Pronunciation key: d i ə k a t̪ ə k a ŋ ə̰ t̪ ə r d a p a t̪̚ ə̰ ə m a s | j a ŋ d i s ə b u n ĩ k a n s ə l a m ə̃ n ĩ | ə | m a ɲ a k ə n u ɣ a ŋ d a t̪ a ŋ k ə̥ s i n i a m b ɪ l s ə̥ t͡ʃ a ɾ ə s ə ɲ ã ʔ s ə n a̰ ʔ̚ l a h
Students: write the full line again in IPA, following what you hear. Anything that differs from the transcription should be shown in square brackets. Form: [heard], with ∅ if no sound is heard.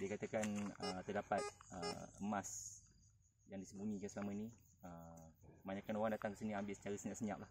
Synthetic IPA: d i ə k a t̪ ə k a [n] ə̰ t̪ ə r d a p a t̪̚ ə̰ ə m a s | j a ŋ d i s ə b u n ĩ k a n s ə l a m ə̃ n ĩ | ə | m a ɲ a k [a] n [o] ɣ a ŋ d a t̪ a ŋ k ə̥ s i n i a m b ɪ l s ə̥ t͡ʃ a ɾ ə s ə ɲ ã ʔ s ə [ɲ] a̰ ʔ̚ l a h

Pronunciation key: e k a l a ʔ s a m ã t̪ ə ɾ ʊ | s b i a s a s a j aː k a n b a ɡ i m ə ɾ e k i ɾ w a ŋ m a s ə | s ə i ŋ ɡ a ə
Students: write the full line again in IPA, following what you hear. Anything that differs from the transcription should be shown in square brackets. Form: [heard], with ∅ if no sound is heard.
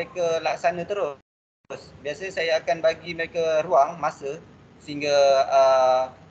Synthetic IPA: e k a l a [k] s a [n] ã t̪ ə ɾ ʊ | s b i a s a s a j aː k a n b a ɡ i m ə ɾ e k [a] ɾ [u] a ŋ m a s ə | s ə i ŋ ɡ a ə

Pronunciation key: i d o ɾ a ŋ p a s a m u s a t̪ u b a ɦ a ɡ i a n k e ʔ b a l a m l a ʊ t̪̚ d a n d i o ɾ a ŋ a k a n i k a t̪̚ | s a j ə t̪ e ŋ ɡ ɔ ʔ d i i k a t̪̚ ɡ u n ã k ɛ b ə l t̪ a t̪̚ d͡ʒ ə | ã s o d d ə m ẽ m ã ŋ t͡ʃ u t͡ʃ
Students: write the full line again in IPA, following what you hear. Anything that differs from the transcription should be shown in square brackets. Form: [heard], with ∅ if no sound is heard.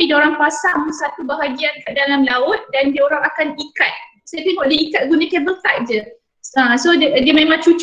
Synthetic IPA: i d o ɾ a ŋ p a s a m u s a t̪ u b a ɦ a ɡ i a n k [a] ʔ [d] a l a m l a ʊ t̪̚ d a n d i o ɾ a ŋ a k a n i k a t̪̚ | s a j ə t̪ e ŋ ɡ ɔ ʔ d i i k a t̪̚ ɡ u n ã k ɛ b ə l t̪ a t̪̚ d͡ʒ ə | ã s o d d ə m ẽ m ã ŋ t͡ʃ u t͡ʃ

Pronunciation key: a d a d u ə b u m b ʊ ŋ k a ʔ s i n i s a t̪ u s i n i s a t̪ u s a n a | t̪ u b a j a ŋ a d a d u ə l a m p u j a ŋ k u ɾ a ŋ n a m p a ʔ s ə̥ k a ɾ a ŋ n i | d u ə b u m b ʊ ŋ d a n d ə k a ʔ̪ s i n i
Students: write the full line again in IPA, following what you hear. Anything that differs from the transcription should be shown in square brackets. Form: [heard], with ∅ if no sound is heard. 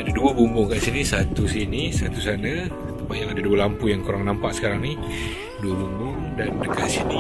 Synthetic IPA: a d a d u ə b u m b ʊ ŋ k a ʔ s i n i s a t̪ u s i n i s a t̪ u s a n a | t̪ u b a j a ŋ a d a d u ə l a m p u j a ŋ k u ɾ a ŋ n a m p a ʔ s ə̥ k a ɾ a ŋ n i | d u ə b u m b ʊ ŋ d a n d ə k a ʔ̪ s i n i

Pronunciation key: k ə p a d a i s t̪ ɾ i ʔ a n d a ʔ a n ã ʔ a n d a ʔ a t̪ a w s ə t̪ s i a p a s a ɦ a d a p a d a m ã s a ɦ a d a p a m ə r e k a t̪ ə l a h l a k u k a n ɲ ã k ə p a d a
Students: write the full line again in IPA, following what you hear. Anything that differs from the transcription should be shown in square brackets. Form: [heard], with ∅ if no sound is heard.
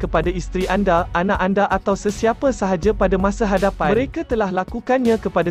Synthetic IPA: k ə p a d a i s t̪ ɾ i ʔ a n d a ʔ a n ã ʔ a n d a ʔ a t̪ a w s ə [∅] s i a p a s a ɦ a [d͡ʒ] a p a d a m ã s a ɦ a d a p a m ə [ɾ] e k a t̪ ə l a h l a k u k a n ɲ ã k ə p a d a

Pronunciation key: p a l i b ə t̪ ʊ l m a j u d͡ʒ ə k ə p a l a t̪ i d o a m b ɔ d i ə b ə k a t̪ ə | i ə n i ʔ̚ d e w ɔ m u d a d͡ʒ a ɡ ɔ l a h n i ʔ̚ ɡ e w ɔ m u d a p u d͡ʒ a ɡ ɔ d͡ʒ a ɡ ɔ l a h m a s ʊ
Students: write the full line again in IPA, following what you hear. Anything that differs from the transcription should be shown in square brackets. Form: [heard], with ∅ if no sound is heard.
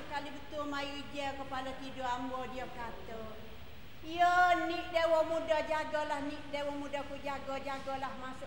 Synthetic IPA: [k] a l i b ə t̪ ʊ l m a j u d͡ʒ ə k ə p a l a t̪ i d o a m b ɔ d i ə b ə k a t̪ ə | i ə n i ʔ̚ d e w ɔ m u d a d͡ʒ a ɡ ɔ l a h n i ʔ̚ [d] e w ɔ m u d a [k] u d͡ʒ a ɡ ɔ d͡ʒ a ɡ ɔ l a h m a s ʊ

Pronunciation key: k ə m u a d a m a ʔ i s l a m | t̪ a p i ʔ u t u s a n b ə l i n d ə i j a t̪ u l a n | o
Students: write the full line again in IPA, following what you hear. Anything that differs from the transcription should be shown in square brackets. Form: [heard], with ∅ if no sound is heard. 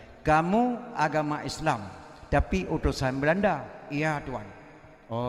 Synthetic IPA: k [a] m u a [ɡ] a m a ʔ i s l a m | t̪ a p i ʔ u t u s a n b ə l [a] n d [a] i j a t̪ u [∅] a n | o

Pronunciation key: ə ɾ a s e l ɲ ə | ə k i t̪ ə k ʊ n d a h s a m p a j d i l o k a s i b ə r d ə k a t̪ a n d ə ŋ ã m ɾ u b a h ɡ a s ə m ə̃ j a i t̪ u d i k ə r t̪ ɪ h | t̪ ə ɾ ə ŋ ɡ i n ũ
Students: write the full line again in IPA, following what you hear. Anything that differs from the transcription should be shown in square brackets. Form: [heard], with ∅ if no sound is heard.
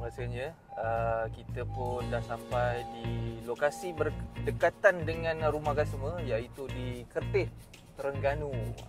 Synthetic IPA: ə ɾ a s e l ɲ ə | ə k i t̪ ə [p] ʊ n d a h s a m p a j d i l o k a s i b ə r d ə k a t̪ a n d ə ŋ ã [n] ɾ u [m] a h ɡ a s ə m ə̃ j a i t̪ u d i k ə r t̪ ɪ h | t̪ ə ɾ ə ŋ ɡ [a] n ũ

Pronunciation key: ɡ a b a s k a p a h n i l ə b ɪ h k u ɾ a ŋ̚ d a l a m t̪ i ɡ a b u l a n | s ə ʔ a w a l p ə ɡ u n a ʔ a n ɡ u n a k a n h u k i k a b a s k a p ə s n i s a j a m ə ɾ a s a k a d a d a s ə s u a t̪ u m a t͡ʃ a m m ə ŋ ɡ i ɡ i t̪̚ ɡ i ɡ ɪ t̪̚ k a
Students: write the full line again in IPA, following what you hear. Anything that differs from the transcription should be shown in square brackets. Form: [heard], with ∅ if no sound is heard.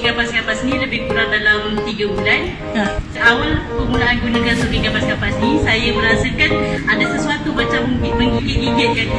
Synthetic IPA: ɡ a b a s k a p a [s] n i l ə b ɪ h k u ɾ a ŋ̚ d a l a m t̪ i ɡ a b u l a n | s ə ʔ a w a l p ə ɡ u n a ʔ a n ɡ u n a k a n [s] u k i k a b a s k a p [a] s n i s a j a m ə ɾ a s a k a [n] a d a s ə s u a t̪ u m a t͡ʃ a m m ə ŋ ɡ i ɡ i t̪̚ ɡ i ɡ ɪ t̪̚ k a

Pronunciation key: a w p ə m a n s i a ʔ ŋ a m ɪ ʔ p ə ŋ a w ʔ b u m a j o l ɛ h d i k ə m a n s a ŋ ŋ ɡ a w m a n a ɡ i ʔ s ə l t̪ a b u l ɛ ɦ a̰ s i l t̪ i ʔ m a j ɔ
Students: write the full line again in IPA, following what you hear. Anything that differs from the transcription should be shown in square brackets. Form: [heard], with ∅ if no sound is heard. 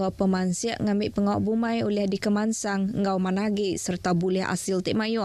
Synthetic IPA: a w p ə m a n s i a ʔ ŋ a m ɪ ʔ p ə ŋ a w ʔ b u m a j o l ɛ h d i k ə m a n s a ŋ ŋ ɡ a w m a n a ɡ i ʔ s ə [r] t̪ a b u l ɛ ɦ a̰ s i l t̪ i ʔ m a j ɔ

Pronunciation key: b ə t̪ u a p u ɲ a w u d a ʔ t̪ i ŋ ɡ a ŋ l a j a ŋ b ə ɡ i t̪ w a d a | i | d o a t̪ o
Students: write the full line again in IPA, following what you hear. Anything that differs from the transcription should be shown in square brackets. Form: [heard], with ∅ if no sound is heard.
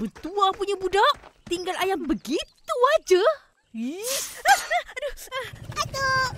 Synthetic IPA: b ə t̪ u a p u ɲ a [b] u d a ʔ t̪ i ŋ ɡ a [∅] l a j a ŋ b ə ɡ i t̪ [u] a [d͡ʒ] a | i | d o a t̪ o

